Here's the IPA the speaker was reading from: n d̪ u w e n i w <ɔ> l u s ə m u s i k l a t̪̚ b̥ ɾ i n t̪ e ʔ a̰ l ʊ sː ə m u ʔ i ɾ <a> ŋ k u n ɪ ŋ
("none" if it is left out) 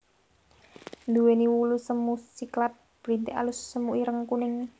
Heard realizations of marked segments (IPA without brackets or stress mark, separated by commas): u, ə